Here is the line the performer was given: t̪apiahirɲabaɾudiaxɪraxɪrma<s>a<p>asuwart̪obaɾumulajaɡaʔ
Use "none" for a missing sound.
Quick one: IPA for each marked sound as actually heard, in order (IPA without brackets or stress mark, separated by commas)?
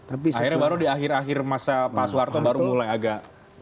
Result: s, p